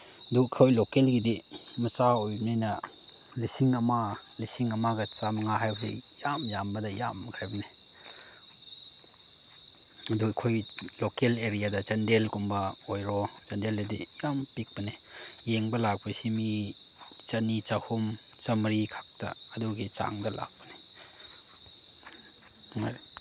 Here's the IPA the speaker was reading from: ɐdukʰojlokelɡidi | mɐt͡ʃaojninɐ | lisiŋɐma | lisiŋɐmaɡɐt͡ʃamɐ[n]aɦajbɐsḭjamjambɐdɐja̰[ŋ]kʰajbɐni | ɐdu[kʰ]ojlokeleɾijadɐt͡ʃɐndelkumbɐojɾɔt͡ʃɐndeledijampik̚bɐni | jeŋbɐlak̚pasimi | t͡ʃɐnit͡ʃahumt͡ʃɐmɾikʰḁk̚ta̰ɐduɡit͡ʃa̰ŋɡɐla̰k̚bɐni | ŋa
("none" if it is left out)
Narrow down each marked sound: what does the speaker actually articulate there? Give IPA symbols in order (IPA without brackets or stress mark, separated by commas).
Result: ŋ, m, kʰ